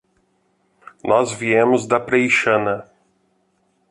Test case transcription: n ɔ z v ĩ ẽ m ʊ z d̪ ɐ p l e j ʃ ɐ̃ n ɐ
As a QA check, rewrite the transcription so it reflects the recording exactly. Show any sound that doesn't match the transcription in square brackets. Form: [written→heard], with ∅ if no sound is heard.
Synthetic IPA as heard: n ɔ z v [ĩ→i] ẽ m ʊ z d̪ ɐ p [l→ɾ] e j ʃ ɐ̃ n ɐ